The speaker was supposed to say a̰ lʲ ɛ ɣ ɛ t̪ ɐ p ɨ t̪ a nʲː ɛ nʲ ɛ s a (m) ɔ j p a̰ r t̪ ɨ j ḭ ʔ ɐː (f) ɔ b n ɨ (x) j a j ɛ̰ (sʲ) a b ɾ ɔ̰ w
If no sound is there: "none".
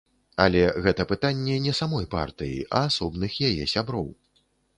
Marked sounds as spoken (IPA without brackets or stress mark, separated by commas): m, s, x, sʲ